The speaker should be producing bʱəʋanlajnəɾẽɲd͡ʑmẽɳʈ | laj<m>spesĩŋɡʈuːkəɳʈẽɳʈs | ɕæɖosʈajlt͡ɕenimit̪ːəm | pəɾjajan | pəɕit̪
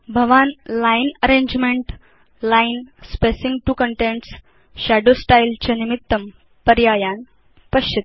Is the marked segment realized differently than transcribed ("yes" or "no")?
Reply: yes